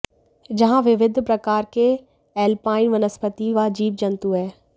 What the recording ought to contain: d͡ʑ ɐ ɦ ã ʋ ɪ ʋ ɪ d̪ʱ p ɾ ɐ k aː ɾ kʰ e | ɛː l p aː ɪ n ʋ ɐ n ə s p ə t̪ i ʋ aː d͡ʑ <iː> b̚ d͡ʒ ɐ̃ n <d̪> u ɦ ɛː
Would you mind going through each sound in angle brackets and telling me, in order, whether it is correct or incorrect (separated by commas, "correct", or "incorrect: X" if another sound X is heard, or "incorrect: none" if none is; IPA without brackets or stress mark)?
correct, incorrect: t̪